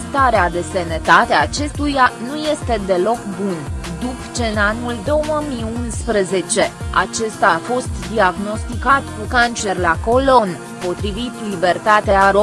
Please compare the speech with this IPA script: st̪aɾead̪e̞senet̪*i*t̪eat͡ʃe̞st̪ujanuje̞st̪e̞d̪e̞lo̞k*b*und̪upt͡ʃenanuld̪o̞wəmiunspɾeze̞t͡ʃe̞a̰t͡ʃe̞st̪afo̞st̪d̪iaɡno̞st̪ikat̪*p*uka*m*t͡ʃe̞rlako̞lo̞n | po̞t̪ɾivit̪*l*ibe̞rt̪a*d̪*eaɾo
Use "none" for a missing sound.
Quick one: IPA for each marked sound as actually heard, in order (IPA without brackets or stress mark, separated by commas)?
a, b, k, n, l, t̪